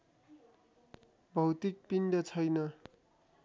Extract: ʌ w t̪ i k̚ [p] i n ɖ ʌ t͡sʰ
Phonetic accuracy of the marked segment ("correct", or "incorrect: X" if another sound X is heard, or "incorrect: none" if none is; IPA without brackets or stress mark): correct